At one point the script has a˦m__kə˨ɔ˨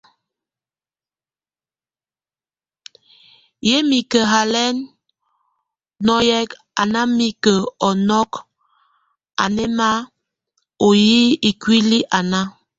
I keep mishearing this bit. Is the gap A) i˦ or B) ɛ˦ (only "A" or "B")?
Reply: A